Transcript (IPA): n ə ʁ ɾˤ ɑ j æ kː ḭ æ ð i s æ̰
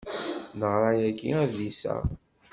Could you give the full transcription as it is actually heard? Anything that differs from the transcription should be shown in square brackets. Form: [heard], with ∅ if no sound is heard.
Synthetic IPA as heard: n ə ʁ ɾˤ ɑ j æ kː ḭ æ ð i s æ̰